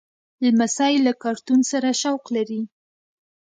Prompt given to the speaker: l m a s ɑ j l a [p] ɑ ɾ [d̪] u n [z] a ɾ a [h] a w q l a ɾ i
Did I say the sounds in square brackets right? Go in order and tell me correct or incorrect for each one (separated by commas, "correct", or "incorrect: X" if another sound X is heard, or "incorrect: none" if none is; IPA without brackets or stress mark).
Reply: incorrect: k, incorrect: t̪, incorrect: s, incorrect: ʃ